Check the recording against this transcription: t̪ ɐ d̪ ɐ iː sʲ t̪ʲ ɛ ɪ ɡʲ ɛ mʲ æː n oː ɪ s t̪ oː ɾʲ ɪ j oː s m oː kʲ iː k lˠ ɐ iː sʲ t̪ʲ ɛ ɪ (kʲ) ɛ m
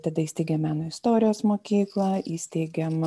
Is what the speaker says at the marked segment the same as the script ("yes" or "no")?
no